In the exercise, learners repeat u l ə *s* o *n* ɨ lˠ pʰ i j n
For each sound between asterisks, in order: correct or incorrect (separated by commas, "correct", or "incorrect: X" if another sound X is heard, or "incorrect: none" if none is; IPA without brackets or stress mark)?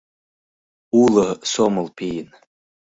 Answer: correct, incorrect: m